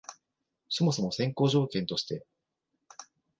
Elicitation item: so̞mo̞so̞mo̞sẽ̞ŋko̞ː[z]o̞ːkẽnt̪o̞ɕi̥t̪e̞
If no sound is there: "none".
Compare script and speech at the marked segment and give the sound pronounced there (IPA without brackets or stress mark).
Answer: ʑ